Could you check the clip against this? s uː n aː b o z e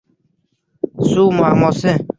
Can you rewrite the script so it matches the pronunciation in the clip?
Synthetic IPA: s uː m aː m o s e

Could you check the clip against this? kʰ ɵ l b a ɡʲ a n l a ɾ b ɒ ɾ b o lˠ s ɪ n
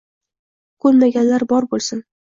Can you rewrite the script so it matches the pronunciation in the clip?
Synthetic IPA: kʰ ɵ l m a ɡʲ a n l a ɾ b ɒ ɾ b o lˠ s ɪ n

